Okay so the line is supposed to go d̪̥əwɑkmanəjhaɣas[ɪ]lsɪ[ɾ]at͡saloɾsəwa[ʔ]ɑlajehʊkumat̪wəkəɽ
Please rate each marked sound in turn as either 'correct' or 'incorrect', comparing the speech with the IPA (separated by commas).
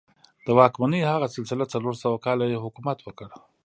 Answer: correct, incorrect, incorrect